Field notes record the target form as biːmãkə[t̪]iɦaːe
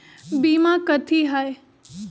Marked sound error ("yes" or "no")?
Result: yes